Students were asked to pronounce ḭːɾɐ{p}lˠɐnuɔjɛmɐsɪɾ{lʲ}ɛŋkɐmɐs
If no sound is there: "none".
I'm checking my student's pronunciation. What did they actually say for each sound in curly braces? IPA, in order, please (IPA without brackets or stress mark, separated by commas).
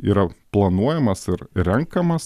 p, ɾʲ